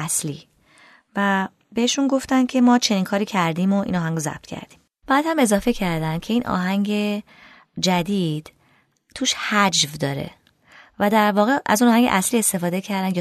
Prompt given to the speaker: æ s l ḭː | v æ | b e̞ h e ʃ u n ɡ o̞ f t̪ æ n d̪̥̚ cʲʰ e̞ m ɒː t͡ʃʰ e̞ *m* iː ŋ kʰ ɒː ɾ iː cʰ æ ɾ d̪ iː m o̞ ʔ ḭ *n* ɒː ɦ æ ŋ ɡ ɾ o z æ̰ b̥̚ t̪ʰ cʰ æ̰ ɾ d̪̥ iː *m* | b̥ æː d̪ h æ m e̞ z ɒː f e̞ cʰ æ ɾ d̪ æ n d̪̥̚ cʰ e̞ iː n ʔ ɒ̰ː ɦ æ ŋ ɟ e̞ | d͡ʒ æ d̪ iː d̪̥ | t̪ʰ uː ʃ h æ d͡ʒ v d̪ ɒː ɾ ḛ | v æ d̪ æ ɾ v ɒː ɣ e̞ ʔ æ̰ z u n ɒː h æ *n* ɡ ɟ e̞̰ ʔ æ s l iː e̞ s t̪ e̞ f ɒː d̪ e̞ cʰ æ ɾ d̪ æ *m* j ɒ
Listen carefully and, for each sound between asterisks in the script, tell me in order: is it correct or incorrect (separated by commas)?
incorrect, correct, correct, incorrect, incorrect